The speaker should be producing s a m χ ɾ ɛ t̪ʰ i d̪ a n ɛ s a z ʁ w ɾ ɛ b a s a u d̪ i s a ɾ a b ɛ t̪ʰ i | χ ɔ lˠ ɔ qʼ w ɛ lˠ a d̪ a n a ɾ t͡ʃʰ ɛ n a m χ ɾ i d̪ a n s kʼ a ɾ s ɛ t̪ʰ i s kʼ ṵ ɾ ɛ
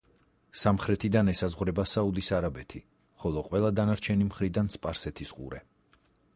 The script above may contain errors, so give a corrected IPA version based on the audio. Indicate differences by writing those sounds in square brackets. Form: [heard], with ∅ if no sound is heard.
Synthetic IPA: s a m χ ɾ ɛ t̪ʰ i d̪ a n ɛ s a z ʁ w ɾ ɛ b a s a u d̪ i s a ɾ a b ɛ t̪ʰ i | χ ɔ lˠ ɔ qʼ w ɛ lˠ a d̪ a n a ɾ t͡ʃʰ ɛ n [i] m χ ɾ i d̪ a n s [pʼ] a ɾ s ɛ t̪ʰ i s [qʼ] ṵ ɾ ɛ